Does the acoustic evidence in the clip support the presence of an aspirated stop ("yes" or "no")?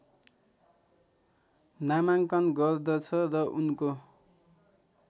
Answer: yes